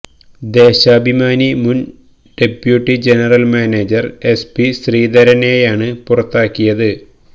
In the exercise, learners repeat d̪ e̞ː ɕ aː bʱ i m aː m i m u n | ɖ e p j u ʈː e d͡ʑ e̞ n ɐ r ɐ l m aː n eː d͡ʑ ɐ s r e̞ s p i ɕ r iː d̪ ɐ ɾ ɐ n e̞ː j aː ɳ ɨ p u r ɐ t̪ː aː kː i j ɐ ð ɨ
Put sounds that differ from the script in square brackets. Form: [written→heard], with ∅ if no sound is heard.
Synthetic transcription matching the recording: d̪ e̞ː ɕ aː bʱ i m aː [m→n] i m u n | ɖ e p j u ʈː [e→i] d͡ʑ e̞ n ɐ r ɐ l m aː n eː d͡ʑ ɐ [s→∅] r e̞ s p i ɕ r iː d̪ ɐ ɾ ɐ n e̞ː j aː ɳ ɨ p u r ɐ t̪ː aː kː i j ɐ ð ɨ